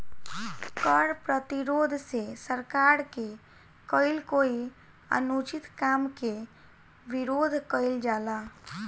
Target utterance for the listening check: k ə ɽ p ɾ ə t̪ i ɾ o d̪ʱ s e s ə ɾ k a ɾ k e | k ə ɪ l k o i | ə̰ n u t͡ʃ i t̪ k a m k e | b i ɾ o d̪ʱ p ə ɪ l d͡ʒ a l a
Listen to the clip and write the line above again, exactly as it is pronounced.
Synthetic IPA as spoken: k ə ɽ p ɾ ə t̪ i ɾ o d̪ʱ s e s ə ɾ k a ɾ k e | k ə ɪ l k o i | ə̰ n u t͡ʃ i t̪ k a m k e | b i ɾ o d̪ʱ k ə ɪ l d͡ʒ a l a